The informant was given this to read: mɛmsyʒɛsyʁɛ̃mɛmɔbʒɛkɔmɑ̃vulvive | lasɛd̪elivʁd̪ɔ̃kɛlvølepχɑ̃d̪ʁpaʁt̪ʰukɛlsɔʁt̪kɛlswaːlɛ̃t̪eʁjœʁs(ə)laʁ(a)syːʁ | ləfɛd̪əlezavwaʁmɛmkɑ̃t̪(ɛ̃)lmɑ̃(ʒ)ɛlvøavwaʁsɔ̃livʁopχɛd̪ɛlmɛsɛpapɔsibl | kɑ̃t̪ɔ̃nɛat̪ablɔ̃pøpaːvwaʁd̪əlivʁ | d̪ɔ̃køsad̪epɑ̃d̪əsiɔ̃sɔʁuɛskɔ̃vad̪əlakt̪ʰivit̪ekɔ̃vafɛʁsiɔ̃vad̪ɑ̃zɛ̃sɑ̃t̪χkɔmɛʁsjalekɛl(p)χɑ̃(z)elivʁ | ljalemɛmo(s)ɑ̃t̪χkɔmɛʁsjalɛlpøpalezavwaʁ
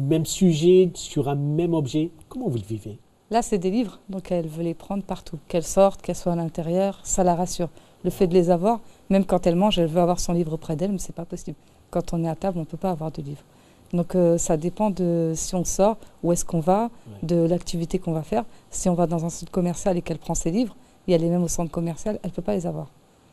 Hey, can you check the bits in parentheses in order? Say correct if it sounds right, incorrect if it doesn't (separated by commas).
incorrect, correct, incorrect, correct, correct, incorrect, correct